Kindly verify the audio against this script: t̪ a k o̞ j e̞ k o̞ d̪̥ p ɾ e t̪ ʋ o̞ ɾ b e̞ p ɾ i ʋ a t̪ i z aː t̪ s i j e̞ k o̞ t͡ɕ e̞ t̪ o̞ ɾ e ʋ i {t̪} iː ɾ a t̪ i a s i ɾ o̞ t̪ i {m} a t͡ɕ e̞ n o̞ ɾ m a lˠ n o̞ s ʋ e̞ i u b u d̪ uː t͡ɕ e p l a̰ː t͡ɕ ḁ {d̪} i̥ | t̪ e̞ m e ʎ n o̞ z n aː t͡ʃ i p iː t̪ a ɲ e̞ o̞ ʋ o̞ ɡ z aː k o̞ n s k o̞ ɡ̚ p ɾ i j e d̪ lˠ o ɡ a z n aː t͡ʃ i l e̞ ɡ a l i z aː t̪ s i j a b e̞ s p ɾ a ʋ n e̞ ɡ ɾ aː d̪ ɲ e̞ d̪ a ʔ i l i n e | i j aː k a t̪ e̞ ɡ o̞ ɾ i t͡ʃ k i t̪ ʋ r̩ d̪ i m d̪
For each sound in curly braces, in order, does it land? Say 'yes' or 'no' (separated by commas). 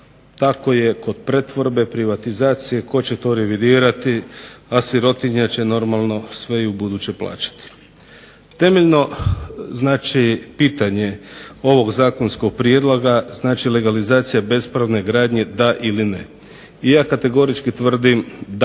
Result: no, no, no